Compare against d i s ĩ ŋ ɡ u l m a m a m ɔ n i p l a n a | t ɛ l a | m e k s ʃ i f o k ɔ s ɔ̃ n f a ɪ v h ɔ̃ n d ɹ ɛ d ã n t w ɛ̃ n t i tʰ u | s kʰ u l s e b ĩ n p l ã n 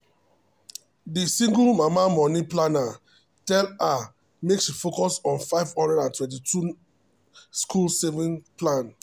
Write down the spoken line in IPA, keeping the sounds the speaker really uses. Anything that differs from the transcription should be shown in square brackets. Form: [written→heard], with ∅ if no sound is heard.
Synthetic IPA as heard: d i s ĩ ŋ ɡ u l m a m a m ɔ n i p l a n a | t ɛ l a | m e k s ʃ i f o k ɔ s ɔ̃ n f a ɪ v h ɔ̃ n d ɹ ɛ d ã n t w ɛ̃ n t i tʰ u | s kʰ u l s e [b→v] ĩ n p l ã n

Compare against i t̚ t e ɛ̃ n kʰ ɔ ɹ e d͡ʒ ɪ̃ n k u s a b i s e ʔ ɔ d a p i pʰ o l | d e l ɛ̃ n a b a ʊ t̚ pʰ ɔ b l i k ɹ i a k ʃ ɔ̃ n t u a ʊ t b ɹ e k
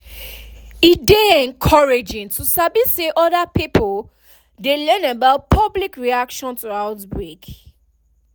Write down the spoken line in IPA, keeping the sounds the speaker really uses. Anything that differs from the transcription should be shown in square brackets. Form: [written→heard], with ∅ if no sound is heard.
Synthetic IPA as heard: i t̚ [t→d] e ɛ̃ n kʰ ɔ ɹ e d͡ʒ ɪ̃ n [k→t] u s a b i s e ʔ ɔ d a p i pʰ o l | d e l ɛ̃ n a b a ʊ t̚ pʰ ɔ b l i k ɹ i a k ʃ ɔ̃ n t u a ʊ t b ɹ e k

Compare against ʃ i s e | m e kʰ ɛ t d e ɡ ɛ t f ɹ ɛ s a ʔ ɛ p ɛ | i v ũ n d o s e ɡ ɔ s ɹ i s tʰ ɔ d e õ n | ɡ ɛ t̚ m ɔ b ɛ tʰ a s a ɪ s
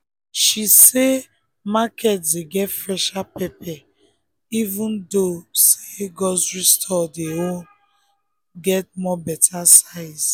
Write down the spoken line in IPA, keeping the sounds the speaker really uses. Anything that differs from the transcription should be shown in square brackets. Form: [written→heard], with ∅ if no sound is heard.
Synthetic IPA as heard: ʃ i s e | m [e→a] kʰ ɛ t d e ɡ ɛ t f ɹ ɛ [s→ʃ] a [ʔ→p] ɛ p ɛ | i v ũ n d o s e ɡ ɔ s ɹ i s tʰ ɔ d e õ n | ɡ ɛ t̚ m ɔ b ɛ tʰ a s a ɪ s

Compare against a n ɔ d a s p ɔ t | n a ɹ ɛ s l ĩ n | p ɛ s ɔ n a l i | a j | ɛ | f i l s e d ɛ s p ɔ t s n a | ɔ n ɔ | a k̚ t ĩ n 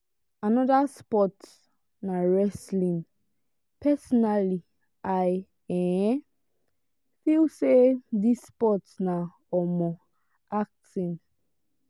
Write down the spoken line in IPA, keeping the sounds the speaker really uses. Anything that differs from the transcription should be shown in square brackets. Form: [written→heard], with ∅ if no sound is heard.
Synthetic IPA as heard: a n ɔ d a s p ɔ t | n a ɹ ɛ s l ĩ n | p ɛ s ɔ n a l i | a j | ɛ | f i l s e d [ɛ→i] s p ɔ t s n a | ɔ [n→m] ɔ | a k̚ t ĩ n

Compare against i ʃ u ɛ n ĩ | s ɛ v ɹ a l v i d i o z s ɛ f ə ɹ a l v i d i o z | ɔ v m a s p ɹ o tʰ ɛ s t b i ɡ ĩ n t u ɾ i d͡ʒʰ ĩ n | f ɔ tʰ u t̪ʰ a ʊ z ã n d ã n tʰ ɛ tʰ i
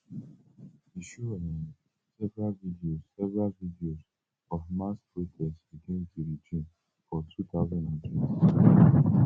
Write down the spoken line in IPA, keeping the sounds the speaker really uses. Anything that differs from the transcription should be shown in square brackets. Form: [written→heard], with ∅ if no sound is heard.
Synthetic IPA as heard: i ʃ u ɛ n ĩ | s ɛ v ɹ a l v i d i o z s ɛ [f→v] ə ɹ a l v i d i o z | ɔ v m a s p ɹ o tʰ ɛ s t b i ɡ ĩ n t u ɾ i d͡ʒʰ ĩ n | f ɔ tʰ u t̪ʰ a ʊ z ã n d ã n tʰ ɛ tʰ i

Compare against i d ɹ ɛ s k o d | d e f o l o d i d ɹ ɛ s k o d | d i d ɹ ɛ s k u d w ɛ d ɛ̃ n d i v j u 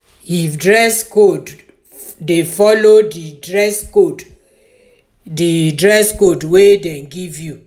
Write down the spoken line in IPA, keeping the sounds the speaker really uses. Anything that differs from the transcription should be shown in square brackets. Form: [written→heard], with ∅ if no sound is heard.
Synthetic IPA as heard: i d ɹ ɛ s k o d | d e f [o→ɔ] l o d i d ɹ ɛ s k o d | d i d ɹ ɛ s k [u→o] d w [ɛ→e] d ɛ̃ n [d→ɡ] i v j u

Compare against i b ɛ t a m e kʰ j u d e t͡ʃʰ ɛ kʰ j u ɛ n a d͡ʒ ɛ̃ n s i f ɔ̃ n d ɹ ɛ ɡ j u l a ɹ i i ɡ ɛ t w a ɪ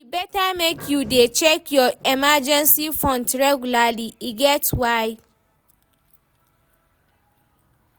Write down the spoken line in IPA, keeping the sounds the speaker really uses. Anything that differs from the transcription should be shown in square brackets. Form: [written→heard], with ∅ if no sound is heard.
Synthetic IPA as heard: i b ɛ t a m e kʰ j u d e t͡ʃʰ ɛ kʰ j [u→ɔ] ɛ [n→m] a d͡ʒ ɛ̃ n s i f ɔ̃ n [d→t] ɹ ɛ ɡ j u l a [ɹ→l] i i ɡ ɛ t w a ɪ

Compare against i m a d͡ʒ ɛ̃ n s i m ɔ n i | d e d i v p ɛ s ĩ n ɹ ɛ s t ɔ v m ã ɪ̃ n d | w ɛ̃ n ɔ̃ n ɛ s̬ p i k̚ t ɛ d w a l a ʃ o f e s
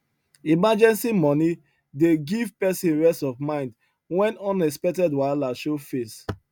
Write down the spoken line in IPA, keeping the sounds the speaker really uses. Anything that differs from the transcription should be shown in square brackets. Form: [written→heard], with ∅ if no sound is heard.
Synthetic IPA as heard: i m a d͡ʒ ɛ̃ n s i m ɔ n i | d e [d→ɡ] i v p ɛ s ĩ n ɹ ɛ s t ɔ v m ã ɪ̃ n d | w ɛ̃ n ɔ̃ n ɛ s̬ p [i→ɛ] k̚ t ɛ d w a l a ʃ o f e s

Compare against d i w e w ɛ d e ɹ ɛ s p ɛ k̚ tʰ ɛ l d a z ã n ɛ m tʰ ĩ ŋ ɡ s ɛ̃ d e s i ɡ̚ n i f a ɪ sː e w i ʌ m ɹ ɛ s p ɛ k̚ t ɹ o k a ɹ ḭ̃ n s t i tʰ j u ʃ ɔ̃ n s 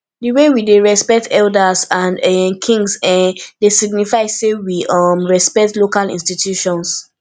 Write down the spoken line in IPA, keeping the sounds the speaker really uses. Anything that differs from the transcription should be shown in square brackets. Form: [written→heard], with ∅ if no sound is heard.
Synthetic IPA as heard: d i w e w [ɛ→i] d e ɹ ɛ s p ɛ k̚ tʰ ɛ l d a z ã n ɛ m [tʰ→kʰ] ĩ ŋ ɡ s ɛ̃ d e s i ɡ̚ n i f a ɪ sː e w i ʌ m ɹ ɛ s p ɛ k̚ t [ɹ→l] o k a [ɹ→l] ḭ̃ n s t i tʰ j u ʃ ɔ̃ n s

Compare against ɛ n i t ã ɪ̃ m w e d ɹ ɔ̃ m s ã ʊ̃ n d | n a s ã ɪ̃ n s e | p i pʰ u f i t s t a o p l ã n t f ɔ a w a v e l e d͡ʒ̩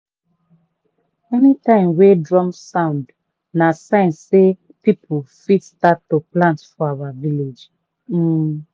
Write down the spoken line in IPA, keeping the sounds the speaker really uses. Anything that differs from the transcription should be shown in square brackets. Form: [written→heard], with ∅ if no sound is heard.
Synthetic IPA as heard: ɛ n i t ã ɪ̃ m w e d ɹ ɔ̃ m s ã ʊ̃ n d | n a s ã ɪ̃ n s e | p i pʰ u f i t s t a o p l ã n t f ɔ a w a v [e→i] l e d͡ʒ̩

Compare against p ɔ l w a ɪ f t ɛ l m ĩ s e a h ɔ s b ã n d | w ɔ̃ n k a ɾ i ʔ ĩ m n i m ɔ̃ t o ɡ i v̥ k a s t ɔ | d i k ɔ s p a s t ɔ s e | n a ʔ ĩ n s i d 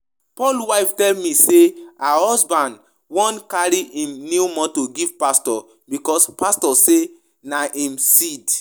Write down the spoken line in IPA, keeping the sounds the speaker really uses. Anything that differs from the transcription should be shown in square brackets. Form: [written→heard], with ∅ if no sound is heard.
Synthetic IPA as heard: p ɔ l w a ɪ f t ɛ l m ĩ s e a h ɔ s b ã n d | w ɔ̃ n k a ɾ i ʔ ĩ m n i m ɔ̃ t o ɡ i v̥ [k→p] a s t ɔ | [d→b] i k ɔ s p a s t ɔ s e | n a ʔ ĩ [n→m] s i d

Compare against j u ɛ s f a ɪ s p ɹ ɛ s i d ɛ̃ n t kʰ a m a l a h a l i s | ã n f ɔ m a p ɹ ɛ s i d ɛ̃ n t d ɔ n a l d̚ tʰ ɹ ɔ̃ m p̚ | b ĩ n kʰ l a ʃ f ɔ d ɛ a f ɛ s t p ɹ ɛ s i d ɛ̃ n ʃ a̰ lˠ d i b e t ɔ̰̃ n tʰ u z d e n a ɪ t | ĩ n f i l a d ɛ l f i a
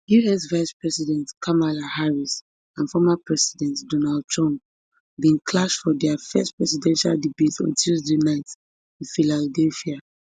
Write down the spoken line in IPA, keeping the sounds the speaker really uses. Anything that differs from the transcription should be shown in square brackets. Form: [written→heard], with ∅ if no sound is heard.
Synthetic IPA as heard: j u ɛ s [f→v] a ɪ s p ɹ ɛ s i d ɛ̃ n t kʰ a m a l a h a [l→ɹ] i s | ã n f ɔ m a p ɹ ɛ s i d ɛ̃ n t d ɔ n a l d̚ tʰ ɹ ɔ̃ m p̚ | b ĩ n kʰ l a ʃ f ɔ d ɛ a f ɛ s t p ɹ ɛ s i d ɛ̃ n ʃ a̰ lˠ d i b e t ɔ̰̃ n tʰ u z d e n a ɪ t | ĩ n f i l a d ɛ l f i a

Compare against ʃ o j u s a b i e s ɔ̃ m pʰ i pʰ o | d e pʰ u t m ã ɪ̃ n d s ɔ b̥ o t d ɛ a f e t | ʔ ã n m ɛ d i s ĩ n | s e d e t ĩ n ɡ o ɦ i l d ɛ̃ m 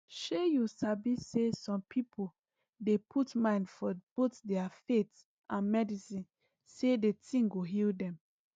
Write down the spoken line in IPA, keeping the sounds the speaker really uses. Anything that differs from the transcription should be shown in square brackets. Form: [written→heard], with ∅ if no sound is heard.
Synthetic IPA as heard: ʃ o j u s a b i e s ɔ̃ m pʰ i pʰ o | d e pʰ u t m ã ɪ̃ n d [s→f] ɔ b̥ o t d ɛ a f e t | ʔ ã n m ɛ d i s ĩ n | s e d e t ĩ [n→ŋ] ɡ o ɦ i l d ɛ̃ m

